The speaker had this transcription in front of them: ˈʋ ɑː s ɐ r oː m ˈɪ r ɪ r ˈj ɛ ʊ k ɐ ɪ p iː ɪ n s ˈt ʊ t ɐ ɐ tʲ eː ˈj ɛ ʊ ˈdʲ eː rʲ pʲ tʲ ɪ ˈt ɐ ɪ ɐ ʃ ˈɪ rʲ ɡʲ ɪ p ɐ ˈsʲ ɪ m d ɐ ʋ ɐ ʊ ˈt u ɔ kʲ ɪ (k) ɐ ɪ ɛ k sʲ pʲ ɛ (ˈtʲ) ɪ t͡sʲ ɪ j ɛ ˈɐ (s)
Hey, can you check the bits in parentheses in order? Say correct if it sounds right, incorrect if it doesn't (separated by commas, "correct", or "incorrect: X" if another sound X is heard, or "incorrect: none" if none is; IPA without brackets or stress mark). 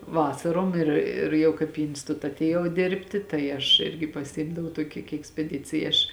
correct, incorrect: dʲ, incorrect: ʃ